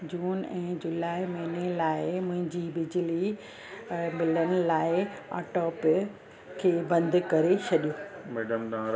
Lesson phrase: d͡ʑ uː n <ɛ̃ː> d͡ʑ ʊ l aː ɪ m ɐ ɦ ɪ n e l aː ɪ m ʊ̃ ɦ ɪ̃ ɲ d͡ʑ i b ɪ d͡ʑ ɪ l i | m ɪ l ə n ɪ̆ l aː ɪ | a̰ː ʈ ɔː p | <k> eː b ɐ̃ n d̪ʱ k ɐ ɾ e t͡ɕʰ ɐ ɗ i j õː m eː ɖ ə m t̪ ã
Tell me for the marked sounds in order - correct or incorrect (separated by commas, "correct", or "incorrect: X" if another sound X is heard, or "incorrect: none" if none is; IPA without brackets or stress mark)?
correct, incorrect: kʰ